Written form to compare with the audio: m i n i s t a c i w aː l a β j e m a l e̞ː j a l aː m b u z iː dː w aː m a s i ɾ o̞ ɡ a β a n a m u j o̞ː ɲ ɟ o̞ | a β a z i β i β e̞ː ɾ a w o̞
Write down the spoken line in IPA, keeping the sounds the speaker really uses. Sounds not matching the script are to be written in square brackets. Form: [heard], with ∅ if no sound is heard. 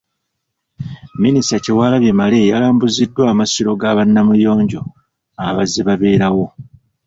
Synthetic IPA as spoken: m i n i s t a c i w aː l a β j e m a l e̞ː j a l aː m b u z [i] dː w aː m a s i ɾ o̞ ɡ a β a [nː] a m u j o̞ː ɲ ɟ o̞ | a β a z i β [a] β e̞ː ɾ a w o̞